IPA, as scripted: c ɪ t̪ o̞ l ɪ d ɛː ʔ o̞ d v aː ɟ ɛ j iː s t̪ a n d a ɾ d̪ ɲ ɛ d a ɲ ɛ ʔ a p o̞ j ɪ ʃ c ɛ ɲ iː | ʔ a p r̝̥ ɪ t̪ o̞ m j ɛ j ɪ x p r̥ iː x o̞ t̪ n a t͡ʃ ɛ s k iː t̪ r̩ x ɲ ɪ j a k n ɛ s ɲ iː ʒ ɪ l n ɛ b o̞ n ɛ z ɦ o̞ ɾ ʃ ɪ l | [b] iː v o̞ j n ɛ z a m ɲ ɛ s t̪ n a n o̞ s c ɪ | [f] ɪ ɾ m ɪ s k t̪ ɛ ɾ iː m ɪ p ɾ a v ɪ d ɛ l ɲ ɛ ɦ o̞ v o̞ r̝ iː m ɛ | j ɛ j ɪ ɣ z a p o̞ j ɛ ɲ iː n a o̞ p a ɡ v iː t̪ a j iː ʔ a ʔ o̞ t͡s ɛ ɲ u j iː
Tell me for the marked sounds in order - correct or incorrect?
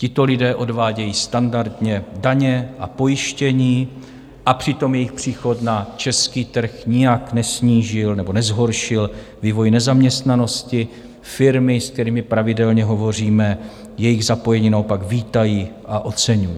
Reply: incorrect, correct

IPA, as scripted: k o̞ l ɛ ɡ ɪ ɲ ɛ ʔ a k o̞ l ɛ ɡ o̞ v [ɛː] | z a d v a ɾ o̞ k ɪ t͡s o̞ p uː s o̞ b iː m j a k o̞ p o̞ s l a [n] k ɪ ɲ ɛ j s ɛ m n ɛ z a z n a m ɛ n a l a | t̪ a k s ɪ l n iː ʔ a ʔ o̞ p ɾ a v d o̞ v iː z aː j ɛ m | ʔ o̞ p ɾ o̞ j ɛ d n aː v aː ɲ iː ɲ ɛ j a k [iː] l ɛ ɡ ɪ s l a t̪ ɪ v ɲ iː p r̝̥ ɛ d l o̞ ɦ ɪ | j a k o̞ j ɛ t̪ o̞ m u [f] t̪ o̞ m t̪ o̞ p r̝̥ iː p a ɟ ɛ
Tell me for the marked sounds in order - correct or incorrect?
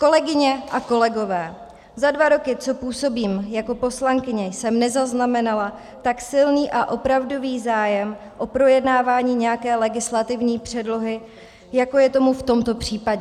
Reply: correct, incorrect, incorrect, correct

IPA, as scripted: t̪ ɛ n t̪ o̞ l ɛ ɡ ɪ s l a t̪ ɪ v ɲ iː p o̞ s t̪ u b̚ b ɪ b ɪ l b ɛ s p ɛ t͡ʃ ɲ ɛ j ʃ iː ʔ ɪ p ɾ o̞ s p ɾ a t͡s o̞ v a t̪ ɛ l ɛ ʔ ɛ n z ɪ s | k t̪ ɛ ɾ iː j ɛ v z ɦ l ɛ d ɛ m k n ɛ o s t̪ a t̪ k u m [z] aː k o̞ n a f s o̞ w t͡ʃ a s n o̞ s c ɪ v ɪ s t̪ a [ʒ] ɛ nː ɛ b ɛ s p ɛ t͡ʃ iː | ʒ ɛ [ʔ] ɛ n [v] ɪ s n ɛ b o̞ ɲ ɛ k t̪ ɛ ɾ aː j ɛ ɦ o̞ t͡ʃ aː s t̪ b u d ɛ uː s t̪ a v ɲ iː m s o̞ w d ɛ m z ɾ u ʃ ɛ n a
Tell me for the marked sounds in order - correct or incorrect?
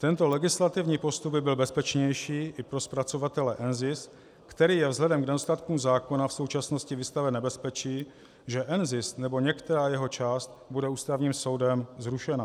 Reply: correct, incorrect, correct, incorrect

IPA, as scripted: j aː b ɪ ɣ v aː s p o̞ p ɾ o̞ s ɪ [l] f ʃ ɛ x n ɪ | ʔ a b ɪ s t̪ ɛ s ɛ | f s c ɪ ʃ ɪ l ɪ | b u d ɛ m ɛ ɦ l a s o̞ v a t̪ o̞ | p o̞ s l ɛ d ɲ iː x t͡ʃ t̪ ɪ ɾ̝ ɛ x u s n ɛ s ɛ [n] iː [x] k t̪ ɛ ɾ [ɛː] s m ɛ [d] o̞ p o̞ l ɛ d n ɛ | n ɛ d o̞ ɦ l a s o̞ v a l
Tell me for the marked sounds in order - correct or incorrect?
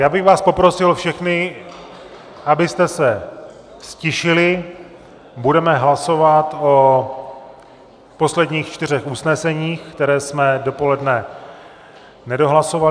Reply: correct, incorrect, correct, correct, correct

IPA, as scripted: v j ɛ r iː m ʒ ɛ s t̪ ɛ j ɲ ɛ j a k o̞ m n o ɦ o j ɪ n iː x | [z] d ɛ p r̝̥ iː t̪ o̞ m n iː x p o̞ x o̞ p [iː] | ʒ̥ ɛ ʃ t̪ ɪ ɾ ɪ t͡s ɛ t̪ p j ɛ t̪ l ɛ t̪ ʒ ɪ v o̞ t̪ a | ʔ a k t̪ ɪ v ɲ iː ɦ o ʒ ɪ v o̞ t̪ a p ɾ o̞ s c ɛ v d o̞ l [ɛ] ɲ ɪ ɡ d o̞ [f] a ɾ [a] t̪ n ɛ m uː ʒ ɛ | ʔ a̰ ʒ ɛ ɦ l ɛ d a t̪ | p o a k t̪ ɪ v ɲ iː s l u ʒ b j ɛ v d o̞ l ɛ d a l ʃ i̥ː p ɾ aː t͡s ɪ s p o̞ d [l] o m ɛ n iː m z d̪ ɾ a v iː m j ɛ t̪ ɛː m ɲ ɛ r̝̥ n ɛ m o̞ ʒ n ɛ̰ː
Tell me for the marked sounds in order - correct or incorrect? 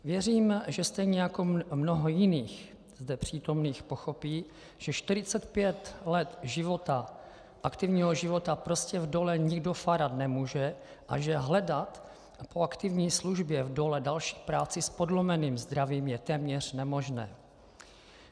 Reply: correct, correct, correct, correct, correct, correct

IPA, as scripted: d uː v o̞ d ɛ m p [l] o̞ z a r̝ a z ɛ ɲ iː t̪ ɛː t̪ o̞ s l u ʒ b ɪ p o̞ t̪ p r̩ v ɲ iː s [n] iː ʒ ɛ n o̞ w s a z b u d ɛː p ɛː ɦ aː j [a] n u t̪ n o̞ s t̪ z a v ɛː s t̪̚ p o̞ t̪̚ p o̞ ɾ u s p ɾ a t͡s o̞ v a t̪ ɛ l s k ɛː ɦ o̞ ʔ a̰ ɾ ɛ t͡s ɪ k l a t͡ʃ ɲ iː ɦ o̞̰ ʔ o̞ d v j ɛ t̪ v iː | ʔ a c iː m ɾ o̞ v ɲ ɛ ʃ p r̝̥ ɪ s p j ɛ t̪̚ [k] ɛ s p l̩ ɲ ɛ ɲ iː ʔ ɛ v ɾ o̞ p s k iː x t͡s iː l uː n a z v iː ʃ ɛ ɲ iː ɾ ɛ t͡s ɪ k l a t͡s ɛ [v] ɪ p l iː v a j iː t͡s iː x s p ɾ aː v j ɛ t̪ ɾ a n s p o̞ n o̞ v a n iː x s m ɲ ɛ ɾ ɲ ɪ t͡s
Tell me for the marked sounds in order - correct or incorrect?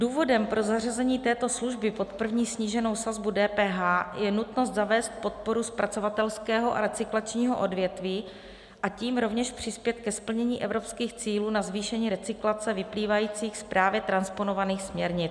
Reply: incorrect, incorrect, incorrect, correct, correct

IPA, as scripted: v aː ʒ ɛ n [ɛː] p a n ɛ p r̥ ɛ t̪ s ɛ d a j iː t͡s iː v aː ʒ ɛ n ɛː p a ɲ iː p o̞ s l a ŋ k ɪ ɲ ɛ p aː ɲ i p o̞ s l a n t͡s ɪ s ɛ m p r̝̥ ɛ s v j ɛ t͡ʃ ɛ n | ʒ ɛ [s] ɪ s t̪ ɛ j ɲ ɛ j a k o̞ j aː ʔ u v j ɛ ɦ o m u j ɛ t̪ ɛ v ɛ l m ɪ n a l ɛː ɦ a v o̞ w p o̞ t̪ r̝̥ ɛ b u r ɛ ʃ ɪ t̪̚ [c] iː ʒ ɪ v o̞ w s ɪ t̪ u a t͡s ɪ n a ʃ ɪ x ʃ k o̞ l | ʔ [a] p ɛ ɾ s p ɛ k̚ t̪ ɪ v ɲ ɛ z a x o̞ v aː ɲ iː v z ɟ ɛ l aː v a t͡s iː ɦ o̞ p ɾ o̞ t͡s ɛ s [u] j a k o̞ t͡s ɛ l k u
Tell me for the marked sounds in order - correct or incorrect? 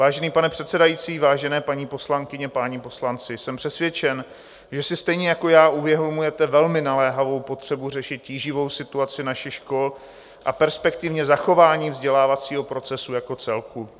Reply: incorrect, correct, correct, correct, correct

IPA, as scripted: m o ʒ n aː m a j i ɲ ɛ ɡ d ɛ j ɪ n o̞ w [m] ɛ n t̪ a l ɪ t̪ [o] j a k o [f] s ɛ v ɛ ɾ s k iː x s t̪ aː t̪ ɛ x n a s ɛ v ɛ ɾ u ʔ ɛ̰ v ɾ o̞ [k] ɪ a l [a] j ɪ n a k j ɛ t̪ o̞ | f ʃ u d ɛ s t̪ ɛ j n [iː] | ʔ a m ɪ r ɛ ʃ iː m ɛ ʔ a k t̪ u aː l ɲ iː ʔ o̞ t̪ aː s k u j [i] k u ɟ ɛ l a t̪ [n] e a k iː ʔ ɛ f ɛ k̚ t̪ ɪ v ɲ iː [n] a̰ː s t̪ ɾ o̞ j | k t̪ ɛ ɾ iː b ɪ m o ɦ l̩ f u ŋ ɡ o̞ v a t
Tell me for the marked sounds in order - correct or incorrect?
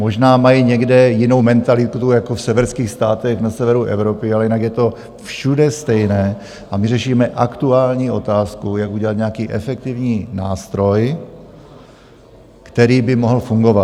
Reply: correct, incorrect, correct, incorrect, incorrect, incorrect, incorrect, incorrect, correct

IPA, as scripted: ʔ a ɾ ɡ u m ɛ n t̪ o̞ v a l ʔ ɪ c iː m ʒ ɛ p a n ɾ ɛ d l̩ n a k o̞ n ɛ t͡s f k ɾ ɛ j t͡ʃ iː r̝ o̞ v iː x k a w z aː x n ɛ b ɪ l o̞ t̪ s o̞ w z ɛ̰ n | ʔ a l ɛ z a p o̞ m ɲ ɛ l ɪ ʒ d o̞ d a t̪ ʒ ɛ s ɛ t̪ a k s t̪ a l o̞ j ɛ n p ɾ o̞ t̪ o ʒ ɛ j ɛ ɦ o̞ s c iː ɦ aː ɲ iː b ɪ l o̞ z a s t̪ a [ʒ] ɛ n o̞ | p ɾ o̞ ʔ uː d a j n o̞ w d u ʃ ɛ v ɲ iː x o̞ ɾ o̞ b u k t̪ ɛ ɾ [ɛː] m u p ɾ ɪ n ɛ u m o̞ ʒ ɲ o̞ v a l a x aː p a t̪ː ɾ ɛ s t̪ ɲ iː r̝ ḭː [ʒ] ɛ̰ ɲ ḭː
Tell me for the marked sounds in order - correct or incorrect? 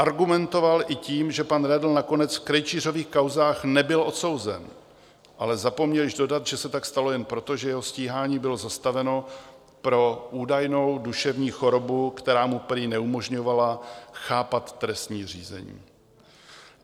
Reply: incorrect, incorrect, incorrect

